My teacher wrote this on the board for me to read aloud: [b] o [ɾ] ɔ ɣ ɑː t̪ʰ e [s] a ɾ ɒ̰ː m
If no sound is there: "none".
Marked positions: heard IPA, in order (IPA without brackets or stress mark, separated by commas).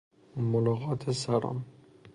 m, l, s